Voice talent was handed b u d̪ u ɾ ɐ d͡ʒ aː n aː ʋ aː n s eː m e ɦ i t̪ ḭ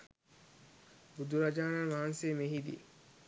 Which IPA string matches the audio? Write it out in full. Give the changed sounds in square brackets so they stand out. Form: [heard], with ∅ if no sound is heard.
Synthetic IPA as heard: b u d̪ u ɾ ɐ d͡ʒ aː n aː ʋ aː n s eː m e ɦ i [d̪] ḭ